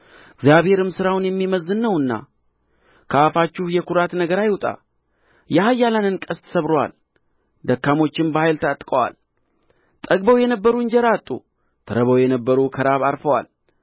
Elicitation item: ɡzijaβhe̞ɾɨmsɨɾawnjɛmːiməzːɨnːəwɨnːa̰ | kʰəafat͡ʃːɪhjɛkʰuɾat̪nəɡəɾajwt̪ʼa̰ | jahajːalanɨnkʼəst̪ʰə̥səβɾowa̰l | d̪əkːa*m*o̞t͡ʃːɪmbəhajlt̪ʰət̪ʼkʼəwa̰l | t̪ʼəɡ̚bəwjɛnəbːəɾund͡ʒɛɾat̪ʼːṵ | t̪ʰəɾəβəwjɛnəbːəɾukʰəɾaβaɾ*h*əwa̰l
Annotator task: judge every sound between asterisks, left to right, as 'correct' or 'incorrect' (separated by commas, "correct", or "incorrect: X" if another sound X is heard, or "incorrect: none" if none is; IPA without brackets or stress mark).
correct, incorrect: f